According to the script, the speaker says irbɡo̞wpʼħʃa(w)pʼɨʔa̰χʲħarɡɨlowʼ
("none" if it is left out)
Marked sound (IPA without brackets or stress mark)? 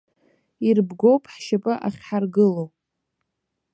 none